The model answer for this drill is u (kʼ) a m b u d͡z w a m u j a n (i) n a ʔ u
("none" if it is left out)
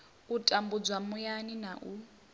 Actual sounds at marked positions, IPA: tʼ, i

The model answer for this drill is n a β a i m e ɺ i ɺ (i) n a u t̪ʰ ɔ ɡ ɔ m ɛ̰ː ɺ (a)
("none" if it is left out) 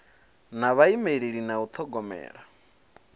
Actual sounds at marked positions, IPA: i, a

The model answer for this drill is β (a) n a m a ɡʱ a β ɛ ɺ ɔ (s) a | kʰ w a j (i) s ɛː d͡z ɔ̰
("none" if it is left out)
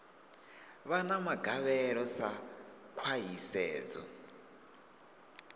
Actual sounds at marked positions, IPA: a, s, i

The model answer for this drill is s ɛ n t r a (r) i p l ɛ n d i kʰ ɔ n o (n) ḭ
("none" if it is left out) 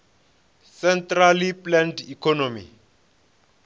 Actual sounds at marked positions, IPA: l, m

